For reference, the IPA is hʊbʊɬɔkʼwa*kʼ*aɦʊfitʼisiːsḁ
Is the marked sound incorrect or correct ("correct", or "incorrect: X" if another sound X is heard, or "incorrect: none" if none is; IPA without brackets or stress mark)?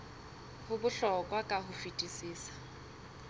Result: correct